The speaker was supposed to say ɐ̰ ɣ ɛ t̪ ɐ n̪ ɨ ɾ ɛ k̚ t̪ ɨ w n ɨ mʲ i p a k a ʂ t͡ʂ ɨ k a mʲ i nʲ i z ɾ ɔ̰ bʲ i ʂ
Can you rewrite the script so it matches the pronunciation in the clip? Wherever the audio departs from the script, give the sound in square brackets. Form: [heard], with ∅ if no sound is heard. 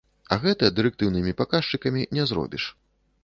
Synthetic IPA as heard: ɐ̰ ɣ ɛ t̪ ɐ [d̪] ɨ ɾ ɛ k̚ t̪ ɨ w n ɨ mʲ i p a k a ʂ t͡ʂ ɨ k [ɐ] mʲ i nʲ [ɛ] z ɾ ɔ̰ bʲ i ʂ